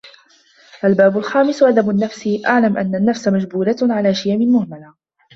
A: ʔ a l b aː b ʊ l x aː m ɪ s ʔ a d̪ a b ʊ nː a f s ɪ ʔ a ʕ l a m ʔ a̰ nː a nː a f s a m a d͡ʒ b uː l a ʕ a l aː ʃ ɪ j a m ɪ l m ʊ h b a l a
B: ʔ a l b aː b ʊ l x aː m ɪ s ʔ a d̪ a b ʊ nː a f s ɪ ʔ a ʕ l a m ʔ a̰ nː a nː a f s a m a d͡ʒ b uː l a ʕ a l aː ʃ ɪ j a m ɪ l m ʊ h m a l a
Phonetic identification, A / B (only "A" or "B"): B